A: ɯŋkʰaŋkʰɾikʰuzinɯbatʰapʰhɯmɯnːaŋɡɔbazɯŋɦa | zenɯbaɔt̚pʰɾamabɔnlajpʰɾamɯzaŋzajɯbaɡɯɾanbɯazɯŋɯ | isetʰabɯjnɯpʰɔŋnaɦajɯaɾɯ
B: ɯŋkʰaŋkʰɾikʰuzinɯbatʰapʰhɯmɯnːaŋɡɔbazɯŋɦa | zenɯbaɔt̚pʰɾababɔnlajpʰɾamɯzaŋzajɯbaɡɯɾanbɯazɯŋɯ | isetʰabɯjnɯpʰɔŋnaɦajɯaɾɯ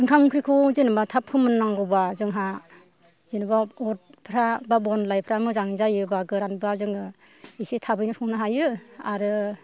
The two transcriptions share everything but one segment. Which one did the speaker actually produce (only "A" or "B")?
B